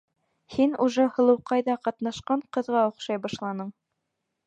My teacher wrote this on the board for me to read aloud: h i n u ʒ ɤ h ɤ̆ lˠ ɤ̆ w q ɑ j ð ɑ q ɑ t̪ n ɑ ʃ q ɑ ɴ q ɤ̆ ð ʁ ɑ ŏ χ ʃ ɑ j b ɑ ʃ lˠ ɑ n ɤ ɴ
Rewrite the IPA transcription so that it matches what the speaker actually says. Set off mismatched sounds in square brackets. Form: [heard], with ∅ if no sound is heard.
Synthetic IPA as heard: h i n u ʒ ɤ h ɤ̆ lˠ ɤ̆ w q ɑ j ð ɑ q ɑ t̪ n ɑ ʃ q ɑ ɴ q ɤ̆ ð ʁ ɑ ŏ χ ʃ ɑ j b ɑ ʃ lˠ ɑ n ɤ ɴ